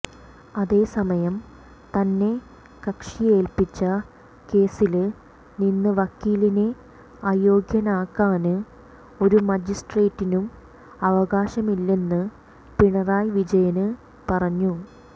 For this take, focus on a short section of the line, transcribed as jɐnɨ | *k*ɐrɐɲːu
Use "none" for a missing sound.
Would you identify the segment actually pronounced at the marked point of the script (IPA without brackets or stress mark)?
p